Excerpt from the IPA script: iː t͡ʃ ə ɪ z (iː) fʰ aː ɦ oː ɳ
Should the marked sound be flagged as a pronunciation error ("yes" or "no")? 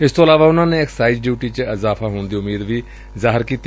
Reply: yes